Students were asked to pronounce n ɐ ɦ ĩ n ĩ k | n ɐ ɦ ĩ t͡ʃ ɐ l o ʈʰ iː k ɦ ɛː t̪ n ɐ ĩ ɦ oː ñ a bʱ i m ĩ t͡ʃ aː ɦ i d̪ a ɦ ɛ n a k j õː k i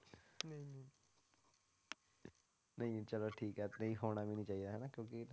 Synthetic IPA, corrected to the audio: n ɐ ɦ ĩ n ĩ | n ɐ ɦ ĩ t͡ʃ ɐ l o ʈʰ iː k ɦ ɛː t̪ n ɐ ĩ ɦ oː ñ a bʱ i n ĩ t͡ʃ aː ɦ i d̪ a ɦ ɛ n a k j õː k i